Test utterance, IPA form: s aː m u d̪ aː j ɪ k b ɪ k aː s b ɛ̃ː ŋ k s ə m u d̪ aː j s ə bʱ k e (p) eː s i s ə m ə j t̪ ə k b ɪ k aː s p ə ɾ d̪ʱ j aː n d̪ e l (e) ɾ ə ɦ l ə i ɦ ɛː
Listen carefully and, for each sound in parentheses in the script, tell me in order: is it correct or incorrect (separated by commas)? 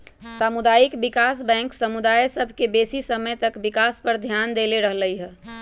incorrect, correct